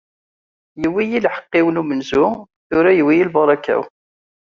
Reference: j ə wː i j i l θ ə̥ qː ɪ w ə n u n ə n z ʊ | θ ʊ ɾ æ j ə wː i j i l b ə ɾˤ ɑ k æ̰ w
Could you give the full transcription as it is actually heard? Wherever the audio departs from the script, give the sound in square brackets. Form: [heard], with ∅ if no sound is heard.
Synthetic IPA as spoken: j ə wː i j i l [ħ] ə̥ qː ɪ w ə n u [m] ə n z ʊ | θ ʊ ɾ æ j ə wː i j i l b [ɑ] ɾˤ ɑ k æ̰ w